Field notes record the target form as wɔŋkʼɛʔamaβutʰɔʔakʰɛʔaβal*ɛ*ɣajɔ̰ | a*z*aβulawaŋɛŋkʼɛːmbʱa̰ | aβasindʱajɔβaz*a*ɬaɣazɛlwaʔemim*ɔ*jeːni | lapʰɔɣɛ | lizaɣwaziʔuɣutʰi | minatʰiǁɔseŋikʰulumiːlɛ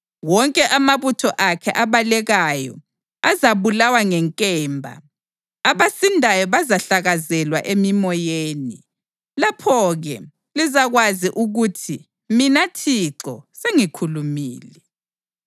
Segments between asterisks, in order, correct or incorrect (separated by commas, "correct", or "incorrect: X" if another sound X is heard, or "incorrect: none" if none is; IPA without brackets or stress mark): correct, correct, correct, correct